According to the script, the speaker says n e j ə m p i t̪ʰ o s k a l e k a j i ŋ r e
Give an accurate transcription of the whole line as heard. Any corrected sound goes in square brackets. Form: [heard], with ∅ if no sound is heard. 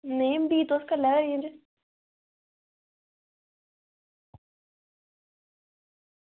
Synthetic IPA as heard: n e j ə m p i [t̪] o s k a l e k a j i [n] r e

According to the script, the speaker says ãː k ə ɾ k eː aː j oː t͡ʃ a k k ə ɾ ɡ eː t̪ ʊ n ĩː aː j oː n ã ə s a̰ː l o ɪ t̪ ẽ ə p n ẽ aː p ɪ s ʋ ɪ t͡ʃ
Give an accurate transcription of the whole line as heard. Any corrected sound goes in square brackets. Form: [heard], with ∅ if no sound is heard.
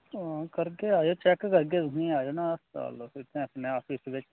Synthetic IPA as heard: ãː k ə ɾ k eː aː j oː t͡ʃ [ɛ] k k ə ɾ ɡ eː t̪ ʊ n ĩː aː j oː n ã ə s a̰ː l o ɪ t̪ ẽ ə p n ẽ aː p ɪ s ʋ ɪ t͡ʃ

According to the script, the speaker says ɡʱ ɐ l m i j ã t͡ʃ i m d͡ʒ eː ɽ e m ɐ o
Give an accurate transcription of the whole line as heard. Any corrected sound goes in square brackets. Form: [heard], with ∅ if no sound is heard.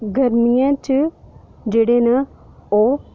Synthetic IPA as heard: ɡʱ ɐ [ɾ] m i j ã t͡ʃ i [∅] d͡ʒ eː ɽ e [n] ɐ o

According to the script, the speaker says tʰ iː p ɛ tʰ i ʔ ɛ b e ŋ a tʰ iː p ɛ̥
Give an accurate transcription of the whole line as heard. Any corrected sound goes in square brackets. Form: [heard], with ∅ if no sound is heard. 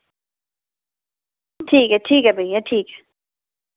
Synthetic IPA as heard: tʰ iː [k] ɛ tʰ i [k] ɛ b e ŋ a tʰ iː [k] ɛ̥

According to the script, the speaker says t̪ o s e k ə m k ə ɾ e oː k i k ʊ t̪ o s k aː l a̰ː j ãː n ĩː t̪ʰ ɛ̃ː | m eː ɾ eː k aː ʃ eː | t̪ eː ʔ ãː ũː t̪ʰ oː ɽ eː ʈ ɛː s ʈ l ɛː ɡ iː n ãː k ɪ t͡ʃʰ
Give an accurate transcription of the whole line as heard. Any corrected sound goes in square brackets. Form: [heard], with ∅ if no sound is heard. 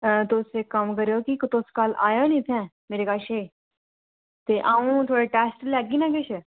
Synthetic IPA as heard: t̪ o s e k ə m k ə ɾ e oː k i k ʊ t̪ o s k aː l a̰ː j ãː n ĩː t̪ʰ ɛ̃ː | m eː ɾ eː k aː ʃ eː | t̪ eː ʔ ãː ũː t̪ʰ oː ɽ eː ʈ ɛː s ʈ l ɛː ɡ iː n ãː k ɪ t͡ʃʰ

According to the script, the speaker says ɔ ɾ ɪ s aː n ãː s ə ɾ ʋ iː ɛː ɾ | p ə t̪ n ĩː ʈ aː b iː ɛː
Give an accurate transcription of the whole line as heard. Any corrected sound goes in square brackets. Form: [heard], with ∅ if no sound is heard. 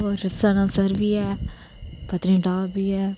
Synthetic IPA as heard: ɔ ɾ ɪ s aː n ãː s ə ɾ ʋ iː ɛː [∅] | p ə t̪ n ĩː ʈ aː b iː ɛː

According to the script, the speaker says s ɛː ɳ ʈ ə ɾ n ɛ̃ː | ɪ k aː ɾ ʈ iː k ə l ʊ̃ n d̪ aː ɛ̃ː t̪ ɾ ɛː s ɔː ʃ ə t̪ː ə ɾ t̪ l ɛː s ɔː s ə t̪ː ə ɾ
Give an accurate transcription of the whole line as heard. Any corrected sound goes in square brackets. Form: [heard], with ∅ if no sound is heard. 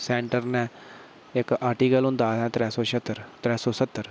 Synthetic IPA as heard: s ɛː ɳ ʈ ə ɾ n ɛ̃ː | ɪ k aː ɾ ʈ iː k ə l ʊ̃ n d̪ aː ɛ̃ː t̪ ɾ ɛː s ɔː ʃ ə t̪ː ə ɾ t̪ [ɾ] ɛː s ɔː s ə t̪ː ə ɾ

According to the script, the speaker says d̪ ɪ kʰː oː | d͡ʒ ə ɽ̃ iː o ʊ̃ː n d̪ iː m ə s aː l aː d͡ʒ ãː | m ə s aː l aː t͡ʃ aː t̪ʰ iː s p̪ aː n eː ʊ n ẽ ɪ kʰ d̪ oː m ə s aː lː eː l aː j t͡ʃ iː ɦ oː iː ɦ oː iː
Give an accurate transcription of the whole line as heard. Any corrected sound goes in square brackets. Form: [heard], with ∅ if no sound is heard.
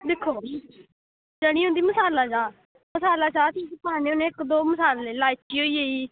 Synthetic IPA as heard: d̪ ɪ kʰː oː | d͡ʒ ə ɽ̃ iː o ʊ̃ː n d̪ iː m ə s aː l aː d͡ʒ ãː | m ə s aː l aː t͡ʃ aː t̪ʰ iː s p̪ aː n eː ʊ n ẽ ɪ [k] d̪ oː m ə s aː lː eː l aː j t͡ʃ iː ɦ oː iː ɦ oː iː

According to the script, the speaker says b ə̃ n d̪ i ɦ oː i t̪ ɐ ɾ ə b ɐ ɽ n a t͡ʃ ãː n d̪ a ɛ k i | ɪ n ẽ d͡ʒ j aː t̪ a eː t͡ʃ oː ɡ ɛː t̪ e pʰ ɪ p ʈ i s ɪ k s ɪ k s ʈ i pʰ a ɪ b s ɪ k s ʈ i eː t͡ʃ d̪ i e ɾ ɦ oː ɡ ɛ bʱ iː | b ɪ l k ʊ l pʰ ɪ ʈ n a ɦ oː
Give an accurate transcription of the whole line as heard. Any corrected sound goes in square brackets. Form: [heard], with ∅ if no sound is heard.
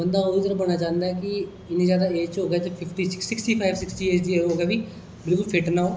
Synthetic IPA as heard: b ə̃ n d̪ [a] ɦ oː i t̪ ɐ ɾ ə b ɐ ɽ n a t͡ʃ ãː n d̪ a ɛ k i | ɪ n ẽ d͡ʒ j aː [d̪] a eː t͡ʃ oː ɡ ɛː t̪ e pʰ ɪ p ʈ i s ɪ k s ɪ k s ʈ i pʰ a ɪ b s ɪ k s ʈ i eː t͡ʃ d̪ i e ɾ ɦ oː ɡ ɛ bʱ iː | b ɪ l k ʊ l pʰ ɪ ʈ n a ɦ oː

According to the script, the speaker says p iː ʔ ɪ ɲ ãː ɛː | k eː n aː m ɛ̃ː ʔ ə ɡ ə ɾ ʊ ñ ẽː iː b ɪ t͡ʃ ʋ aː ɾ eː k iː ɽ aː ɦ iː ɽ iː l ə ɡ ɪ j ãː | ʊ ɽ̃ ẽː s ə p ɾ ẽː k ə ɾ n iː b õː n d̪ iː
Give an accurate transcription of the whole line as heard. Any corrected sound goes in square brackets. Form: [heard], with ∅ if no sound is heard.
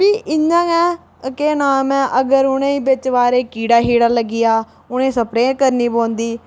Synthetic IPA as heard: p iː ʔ ɪ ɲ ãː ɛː | k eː n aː m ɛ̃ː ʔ ə ɡ ə ɾ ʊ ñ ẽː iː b ɪ t͡ʃ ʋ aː ɾ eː k iː ɽ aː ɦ iː ɽ [aː] l ə ɡ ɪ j [aː] | ʊ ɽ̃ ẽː s ə p ɾ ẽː k ə ɾ n iː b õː n d̪ iː

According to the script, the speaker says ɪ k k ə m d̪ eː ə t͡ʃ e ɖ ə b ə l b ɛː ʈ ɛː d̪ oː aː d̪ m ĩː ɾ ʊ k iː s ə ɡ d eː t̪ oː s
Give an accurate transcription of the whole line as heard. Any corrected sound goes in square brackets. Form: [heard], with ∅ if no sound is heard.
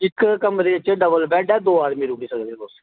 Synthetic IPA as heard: ɪ k k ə m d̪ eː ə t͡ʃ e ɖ ə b ə l b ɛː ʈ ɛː d̪ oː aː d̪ m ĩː ɾ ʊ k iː s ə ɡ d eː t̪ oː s

